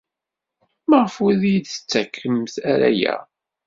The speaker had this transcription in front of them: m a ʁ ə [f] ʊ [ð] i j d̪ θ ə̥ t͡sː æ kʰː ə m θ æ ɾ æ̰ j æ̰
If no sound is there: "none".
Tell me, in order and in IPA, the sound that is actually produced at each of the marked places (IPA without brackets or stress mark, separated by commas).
f, ð